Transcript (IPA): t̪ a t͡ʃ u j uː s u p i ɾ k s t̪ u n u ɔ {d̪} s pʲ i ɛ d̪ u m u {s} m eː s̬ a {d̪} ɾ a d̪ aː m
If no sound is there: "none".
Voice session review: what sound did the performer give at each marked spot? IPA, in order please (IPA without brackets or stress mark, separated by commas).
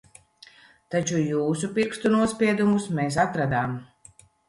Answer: none, s, t̪